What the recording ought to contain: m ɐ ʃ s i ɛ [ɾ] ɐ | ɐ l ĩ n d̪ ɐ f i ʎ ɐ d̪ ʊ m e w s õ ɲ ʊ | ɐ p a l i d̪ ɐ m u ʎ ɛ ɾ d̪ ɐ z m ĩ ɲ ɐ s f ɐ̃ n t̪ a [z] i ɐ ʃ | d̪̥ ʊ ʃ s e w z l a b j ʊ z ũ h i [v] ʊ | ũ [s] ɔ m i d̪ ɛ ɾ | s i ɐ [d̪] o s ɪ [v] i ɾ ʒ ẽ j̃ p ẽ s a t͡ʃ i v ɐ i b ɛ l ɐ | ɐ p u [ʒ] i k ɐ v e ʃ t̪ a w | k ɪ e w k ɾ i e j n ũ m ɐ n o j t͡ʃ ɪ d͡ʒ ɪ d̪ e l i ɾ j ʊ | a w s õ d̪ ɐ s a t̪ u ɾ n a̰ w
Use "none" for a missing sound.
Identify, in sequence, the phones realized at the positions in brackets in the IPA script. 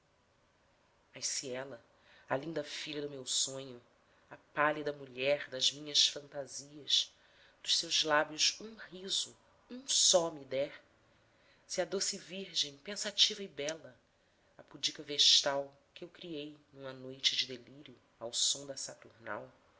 l, z, z, s, d̪, v, d͡ʒ

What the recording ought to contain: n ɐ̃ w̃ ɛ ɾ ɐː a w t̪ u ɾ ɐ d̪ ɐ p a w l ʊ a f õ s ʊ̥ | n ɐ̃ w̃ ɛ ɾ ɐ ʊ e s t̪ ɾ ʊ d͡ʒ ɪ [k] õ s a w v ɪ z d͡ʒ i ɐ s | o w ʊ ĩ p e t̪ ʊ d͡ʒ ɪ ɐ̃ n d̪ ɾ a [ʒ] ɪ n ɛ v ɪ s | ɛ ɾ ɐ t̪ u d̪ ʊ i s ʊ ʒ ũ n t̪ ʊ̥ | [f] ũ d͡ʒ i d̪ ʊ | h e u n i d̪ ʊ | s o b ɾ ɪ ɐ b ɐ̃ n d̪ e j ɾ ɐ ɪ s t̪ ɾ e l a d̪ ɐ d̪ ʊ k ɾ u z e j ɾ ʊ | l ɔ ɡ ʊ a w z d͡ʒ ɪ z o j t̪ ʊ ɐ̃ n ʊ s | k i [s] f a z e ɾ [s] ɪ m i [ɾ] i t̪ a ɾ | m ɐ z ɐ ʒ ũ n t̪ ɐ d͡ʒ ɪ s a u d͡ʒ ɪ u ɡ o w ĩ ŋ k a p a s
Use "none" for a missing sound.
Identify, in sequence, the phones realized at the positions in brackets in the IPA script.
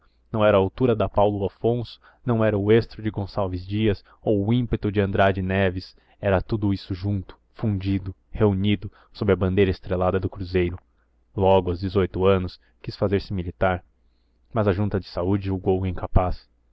ɡ, d͡ʒ, f, s, s, l

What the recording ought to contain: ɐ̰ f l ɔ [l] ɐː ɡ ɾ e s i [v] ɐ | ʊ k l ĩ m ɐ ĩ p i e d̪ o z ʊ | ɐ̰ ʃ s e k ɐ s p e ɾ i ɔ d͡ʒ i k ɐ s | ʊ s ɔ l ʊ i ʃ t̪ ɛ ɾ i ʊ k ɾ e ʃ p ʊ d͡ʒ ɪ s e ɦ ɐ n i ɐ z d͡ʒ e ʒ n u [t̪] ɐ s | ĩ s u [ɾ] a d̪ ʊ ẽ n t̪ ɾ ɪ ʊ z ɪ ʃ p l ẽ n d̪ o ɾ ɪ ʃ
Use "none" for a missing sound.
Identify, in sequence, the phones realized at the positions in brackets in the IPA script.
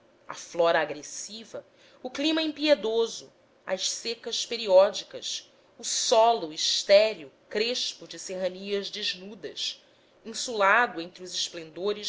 ɾ, v, d̪, l

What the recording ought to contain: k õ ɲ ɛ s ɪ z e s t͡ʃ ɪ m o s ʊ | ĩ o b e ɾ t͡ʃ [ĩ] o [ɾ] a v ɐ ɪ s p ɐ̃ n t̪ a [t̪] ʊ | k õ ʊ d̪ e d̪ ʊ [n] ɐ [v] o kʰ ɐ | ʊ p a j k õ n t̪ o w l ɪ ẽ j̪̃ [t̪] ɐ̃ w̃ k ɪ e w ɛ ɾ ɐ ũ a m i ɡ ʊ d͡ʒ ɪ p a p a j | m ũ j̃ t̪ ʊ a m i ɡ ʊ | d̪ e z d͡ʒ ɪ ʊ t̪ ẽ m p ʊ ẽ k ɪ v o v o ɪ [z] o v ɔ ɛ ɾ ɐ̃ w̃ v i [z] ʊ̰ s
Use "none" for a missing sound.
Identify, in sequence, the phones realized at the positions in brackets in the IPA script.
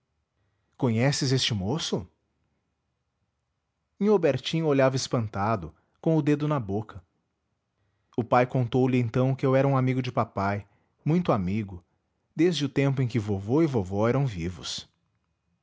ĩ, ʎ, d̪, n, b, t̪, v, v

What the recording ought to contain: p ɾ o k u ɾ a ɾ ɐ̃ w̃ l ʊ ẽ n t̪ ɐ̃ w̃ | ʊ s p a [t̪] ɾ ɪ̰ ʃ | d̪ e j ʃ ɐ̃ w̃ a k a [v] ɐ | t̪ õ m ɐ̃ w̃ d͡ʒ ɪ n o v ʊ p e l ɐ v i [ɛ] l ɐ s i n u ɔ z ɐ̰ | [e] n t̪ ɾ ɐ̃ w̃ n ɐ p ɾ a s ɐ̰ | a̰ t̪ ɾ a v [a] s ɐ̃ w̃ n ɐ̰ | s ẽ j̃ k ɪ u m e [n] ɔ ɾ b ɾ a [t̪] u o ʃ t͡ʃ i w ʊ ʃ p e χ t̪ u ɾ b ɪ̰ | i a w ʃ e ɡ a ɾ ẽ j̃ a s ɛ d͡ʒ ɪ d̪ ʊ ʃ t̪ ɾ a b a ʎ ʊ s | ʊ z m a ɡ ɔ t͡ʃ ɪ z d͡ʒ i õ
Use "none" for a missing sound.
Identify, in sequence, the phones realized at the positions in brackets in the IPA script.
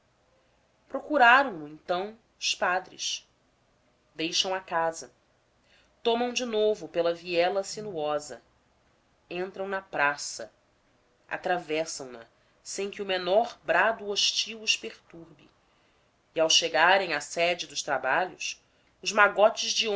d̪, z, ɛ, ẽ, ɛ, n, d̪

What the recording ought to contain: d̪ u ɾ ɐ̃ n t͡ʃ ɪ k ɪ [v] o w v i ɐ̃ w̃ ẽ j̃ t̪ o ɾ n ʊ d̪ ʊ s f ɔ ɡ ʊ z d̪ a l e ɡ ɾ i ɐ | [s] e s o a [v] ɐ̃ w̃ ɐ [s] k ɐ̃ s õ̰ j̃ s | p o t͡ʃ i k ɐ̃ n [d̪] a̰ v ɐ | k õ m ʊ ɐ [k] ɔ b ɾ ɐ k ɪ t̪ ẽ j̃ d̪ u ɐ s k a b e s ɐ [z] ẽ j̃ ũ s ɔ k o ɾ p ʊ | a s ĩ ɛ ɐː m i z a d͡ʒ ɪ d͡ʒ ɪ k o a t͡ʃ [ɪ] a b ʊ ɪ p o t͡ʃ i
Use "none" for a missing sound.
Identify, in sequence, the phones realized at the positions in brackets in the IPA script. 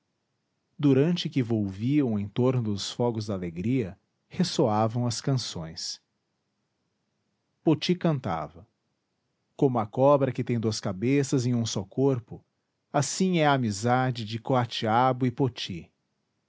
v, h, v, s, t̪, k, z, i

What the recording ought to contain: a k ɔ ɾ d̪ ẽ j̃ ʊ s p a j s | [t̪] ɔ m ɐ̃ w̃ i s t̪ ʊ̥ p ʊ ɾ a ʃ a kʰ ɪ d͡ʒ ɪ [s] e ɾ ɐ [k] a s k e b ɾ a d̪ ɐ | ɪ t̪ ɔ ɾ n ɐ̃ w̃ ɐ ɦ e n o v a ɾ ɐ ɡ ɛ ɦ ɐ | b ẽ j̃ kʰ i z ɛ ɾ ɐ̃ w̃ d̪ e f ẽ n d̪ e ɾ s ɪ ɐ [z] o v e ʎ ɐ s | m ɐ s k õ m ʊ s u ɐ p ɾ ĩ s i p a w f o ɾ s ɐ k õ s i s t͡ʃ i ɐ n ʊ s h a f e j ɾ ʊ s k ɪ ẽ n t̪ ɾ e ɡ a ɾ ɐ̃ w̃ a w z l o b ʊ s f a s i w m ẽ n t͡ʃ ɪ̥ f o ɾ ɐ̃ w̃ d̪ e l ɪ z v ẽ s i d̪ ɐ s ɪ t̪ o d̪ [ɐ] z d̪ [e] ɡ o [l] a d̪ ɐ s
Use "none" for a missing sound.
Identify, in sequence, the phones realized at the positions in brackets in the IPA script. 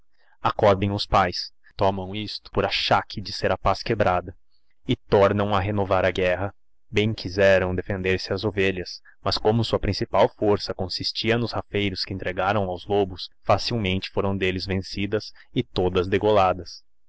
t̪, s, p, z, ɐ, e, l

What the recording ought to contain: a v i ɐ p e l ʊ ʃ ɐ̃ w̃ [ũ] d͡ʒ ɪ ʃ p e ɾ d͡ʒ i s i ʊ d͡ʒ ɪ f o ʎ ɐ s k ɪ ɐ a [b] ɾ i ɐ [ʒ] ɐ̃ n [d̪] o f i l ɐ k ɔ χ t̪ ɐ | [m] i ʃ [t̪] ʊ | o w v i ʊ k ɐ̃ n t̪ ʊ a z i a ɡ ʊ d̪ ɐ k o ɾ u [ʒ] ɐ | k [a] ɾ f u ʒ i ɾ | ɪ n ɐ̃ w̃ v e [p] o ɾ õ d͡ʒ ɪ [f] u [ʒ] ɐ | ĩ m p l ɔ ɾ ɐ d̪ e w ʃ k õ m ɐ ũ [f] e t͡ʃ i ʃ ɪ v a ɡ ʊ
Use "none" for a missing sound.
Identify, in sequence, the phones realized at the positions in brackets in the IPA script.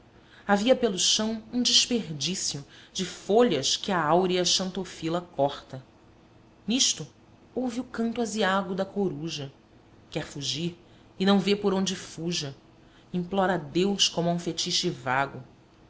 ũ, w, ʃ, t̪, n, t̪, ʒ, ɛ, p, f, ʒ, f

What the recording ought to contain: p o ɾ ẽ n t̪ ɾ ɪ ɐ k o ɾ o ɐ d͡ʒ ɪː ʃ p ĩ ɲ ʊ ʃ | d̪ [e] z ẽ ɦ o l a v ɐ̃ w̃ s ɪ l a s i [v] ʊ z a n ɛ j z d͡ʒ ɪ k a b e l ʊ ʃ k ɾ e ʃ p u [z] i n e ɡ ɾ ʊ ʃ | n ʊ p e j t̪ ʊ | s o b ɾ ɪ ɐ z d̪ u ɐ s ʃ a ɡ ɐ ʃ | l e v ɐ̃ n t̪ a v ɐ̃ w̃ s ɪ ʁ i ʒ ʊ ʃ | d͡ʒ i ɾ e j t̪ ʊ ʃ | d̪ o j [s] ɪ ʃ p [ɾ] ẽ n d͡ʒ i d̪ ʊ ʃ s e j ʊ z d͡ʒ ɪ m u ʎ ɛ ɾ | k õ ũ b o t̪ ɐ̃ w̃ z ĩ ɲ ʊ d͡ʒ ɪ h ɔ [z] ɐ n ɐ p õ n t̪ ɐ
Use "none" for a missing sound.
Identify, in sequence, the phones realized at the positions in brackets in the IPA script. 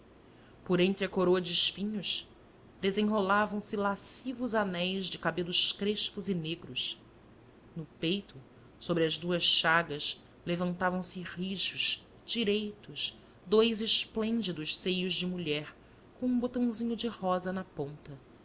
e, v, z, z, l, z

